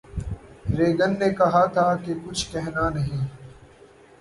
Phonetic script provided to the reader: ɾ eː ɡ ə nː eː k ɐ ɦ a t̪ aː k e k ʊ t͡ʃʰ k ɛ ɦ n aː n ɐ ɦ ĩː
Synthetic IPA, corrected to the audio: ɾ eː ɡ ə nː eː k ɐ ɦ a t̪ʰ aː k e k ʊ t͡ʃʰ k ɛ ɦ n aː n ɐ ɦ ĩː